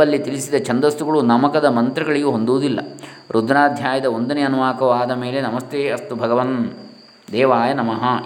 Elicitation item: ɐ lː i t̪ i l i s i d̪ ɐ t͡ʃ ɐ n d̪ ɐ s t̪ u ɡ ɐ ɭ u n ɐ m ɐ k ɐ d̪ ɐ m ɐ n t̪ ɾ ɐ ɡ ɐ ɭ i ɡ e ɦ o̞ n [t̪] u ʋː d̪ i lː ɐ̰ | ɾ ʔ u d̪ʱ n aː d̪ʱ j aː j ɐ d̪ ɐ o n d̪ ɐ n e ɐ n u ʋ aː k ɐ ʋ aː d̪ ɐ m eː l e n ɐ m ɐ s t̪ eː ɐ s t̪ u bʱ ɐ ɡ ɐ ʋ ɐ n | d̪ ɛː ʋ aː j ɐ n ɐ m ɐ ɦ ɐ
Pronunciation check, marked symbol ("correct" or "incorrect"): incorrect